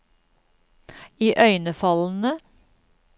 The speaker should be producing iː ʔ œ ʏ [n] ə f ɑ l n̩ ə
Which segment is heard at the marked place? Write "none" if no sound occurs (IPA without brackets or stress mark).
n